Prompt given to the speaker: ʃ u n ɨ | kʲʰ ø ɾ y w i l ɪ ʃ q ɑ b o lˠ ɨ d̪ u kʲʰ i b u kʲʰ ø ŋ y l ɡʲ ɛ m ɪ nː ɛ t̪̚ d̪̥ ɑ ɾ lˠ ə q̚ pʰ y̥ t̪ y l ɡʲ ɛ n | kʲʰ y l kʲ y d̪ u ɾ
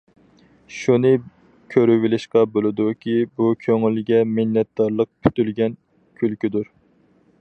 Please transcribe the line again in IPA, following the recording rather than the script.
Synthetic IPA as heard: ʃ u n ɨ | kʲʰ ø ɾ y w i l ɪ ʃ q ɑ b o lˠ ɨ d̪ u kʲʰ i b u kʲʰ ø ŋ y l ɡʲ ɛ m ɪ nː ɛ t̪̚ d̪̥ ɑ ɾ lˠ ə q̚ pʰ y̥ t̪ y l ɡʲ ɛ n | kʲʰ y l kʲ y d̪ u ɾ

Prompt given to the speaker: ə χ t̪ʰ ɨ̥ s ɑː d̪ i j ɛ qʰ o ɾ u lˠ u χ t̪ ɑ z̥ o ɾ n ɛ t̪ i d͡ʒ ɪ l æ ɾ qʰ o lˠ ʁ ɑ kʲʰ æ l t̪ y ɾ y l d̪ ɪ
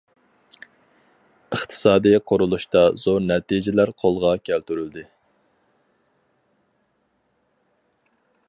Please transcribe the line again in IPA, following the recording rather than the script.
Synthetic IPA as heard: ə χ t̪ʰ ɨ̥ s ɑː d̪ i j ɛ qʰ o ɾ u lˠ u ʃ t̪ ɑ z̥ o ɾ n ɛ t̪ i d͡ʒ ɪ l æ ɾ qʰ o lˠ ʁ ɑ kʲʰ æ l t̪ y ɾ y l d̪ ɪ

